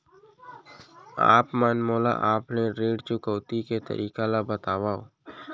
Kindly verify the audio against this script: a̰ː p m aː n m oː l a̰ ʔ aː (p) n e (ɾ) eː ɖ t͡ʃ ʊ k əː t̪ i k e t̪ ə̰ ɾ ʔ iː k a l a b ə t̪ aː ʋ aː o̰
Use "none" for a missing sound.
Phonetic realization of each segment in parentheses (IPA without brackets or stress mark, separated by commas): p, ɾ